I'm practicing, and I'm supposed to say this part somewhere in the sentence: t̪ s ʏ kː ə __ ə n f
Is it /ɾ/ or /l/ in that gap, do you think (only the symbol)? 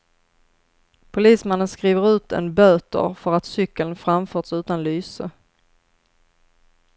l